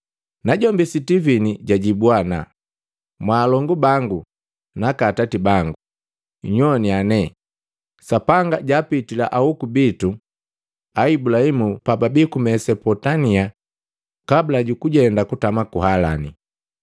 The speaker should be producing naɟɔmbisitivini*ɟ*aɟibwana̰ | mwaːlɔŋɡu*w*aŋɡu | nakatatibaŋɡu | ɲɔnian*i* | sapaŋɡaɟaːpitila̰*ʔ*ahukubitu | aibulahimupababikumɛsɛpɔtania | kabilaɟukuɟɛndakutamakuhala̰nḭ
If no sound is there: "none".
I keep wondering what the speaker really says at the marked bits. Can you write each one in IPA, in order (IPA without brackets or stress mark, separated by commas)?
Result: ɟ, b, ɛ, ʔ